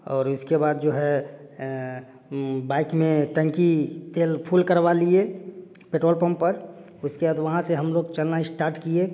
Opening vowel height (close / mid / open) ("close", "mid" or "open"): mid